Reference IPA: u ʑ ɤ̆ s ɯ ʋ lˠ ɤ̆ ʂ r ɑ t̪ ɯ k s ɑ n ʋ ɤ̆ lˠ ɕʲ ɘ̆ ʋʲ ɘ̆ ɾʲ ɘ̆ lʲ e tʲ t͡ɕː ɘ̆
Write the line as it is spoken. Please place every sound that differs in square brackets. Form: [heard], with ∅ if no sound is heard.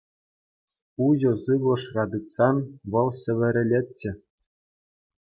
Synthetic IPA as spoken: u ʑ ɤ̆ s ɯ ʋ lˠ ɤ̆ ʂ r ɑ [d̪] ɯ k s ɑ n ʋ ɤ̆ lˠ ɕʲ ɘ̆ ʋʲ ɘ̆ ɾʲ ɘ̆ lʲ e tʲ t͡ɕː ɘ̆